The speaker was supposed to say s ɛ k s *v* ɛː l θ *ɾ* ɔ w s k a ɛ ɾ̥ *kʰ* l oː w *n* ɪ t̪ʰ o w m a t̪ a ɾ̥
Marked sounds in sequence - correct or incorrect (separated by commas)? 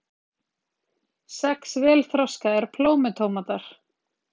correct, correct, incorrect, incorrect